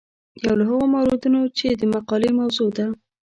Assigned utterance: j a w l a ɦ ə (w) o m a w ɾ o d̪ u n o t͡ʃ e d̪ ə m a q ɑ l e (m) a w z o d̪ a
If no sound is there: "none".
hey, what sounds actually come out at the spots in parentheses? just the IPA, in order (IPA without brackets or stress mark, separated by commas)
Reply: ɣ, m